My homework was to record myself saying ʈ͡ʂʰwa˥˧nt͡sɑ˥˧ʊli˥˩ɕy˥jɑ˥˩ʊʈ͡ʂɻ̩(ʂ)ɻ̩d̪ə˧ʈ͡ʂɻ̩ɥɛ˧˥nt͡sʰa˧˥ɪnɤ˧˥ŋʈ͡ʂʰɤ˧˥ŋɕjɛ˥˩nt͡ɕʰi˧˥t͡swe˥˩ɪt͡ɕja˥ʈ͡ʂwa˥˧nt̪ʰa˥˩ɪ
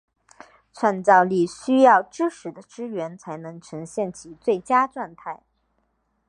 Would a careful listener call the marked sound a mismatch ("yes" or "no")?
no